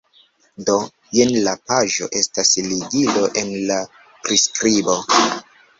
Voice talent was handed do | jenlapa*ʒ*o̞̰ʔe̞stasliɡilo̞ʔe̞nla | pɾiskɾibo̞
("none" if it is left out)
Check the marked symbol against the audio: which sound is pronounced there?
ʒ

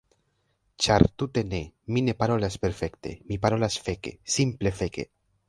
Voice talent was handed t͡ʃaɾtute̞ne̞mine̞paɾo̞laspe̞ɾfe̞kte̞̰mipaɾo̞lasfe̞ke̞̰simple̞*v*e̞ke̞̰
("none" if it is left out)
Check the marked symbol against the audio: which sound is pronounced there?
f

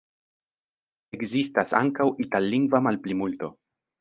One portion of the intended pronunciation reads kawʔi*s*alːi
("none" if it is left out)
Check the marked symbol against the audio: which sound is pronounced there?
t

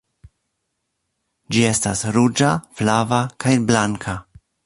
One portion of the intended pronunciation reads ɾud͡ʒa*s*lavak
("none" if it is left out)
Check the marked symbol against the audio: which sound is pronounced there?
f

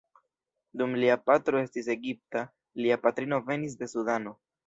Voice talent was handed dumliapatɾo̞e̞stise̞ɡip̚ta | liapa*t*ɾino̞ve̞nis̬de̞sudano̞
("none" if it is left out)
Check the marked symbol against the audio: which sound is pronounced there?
t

